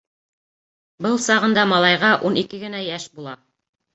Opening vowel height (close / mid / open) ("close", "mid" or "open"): mid